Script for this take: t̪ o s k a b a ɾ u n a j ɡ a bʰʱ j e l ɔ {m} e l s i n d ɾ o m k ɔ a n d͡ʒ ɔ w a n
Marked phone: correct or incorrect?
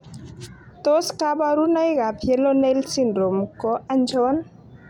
incorrect